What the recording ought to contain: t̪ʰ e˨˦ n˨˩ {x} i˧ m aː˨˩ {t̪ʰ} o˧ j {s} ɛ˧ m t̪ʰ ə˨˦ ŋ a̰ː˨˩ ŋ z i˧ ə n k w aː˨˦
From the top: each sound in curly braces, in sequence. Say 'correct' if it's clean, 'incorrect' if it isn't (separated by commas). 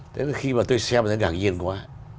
correct, incorrect, correct